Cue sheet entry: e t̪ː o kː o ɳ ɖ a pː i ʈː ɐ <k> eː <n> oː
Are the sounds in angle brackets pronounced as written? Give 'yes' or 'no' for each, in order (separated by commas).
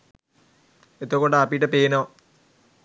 no, yes